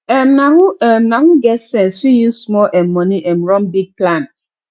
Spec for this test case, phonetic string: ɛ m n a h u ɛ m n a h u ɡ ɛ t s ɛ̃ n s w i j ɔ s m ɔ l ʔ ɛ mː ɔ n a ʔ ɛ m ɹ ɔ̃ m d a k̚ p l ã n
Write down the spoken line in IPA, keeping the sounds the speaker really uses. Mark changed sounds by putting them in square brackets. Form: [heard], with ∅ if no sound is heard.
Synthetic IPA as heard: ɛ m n a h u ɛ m n a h u ɡ ɛ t s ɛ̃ n s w i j [u] s m ɔ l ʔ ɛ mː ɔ n [i] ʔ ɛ m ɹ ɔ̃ m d [i] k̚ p l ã n